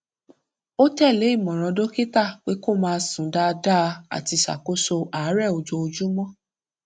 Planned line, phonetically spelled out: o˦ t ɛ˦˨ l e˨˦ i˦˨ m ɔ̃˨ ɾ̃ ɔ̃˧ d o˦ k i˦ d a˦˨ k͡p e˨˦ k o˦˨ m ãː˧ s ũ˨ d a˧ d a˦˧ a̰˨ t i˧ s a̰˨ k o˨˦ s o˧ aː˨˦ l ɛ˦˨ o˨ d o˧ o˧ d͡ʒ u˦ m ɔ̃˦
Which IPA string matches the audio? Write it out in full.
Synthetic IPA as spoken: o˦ t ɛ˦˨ l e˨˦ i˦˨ m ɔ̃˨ ɾ̃ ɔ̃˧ d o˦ k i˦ t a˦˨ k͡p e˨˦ k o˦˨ m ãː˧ s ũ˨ d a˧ d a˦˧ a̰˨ t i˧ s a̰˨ k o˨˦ s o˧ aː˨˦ ɾ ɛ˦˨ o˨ d͡ʒ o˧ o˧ d͡ʒ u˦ m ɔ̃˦